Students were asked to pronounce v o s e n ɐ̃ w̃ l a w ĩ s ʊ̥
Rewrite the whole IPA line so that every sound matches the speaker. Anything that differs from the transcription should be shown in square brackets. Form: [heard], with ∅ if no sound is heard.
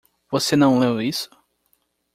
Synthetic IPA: v o s e n ɐ̃ w̃ l [e] w [i] s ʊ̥

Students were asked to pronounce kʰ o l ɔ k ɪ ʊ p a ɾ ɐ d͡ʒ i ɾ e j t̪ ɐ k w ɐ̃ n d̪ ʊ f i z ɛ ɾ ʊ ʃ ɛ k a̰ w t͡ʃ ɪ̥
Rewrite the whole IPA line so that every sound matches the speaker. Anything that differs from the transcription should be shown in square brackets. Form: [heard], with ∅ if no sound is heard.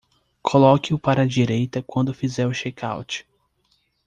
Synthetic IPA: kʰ o l ɔ k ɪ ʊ p a ɾ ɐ d͡ʒ i ɾ e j t̪ ɐ k w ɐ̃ n d̪ ʊ f i z ɛ ɾ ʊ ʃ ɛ k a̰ w t͡ʃ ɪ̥

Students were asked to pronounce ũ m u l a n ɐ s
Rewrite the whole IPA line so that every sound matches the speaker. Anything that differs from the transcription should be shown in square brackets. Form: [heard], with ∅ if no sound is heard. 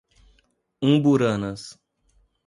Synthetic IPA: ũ [b] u [ɾ] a n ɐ s

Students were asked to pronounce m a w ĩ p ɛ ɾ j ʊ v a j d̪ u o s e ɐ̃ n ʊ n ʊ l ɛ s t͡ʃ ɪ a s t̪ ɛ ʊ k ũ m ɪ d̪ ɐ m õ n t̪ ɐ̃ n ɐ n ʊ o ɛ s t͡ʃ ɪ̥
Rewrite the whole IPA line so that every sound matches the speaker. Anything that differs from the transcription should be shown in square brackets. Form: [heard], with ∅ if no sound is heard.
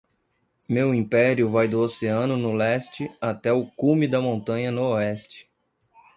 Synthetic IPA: m [e] w ĩ p ɛ ɾ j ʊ v a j d̪ [ʊ] o s e ɐ̃ n ʊ n ʊ l ɛ s t͡ʃ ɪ a [∅] t̪ ɛ ʊ k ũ m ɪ d̪ ɐ m õ n t̪ ɐ̃ [ɲ] ɐ n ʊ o ɛ s t͡ʃ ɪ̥

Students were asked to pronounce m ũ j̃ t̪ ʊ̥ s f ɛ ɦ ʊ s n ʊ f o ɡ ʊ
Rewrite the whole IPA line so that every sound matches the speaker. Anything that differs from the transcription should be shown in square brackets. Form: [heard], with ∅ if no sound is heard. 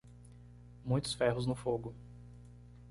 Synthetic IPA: m ũ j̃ t̪ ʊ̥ s f ɛ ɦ ʊ [z] n ʊ f o ɡ ʊ

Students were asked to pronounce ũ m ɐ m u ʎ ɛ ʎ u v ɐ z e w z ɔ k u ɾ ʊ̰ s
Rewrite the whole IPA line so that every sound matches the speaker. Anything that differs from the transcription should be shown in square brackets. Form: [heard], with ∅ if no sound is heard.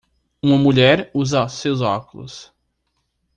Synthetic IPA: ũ m ɐ m u ʎ ɛ [ɾ] u [z] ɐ [s] e w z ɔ k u [l] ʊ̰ s

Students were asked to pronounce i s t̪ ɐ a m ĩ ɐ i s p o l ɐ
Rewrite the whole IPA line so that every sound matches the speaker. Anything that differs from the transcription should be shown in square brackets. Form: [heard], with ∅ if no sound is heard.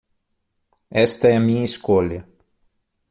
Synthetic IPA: [ɛ] s t̪ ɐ [ɛ] m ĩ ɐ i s [k] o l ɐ

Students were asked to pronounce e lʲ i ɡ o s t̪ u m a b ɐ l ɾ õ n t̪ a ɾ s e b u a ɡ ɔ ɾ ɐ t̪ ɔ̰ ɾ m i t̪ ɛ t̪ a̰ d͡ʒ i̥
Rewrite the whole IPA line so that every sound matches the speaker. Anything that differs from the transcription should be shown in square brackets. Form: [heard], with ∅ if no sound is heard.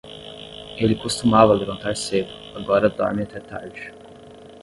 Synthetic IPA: e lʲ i [k] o s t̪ u m a [v] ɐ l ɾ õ n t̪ a ɾ s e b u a ɡ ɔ ɾ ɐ [d̪] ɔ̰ ɾ m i t̪ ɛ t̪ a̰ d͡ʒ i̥

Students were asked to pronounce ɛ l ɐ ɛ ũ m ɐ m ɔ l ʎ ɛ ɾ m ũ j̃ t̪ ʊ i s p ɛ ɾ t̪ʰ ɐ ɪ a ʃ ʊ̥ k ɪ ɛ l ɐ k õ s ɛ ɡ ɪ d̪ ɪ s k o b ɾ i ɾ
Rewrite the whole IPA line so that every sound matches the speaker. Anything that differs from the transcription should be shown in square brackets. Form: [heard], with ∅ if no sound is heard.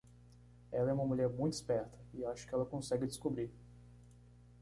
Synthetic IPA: ɛ l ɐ ɛ ũ m ɐ m [u] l ʎ ɛ ɾ m ũ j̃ t̪ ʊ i s p ɛ ɾ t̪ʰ ɐ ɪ a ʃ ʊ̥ k ɪ ɛ l ɐ k õ s ɛ ɡ ɪ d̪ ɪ s k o b ɾ i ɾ

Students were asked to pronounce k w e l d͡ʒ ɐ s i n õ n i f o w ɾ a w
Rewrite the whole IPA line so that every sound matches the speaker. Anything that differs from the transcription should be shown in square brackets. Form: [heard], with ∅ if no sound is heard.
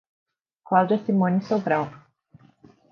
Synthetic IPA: k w [a] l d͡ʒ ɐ s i [m] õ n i [s] o [b] ɾ a w

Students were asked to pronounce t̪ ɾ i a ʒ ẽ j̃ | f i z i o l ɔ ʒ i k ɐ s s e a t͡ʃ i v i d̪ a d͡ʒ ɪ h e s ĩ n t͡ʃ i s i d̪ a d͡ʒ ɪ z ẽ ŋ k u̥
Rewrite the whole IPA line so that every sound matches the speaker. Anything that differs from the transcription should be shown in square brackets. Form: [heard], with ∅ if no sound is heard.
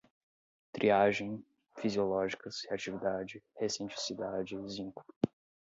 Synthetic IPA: t̪ ɾ i a ʒ ẽ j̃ | f i z i o l ɔ ʒ i k ɐ s [h] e a t͡ʃ i v i d̪ a d͡ʒ ɪ h e s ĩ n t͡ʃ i s i d̪ a d͡ʒ ɪ z [ĩ] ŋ k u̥

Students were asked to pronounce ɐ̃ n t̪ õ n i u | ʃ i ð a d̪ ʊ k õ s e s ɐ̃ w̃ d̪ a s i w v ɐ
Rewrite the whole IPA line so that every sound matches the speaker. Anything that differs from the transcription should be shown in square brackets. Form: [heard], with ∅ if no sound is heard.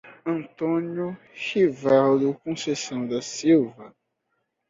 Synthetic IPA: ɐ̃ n t̪ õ n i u | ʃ i [v] a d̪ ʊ k õ s e s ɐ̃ w̃ d̪ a s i w v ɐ

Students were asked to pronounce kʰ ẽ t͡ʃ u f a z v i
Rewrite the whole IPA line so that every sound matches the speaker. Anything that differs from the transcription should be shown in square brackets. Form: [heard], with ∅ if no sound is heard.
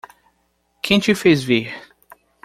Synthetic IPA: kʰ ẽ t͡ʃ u f [e] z v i

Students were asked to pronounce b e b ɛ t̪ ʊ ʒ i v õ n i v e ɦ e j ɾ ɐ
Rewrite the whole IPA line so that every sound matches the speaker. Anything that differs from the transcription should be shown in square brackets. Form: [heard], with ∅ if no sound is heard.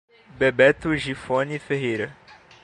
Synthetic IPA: b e b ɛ t̪ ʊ ʒ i [f] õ n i [f] e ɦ e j ɾ ɐ

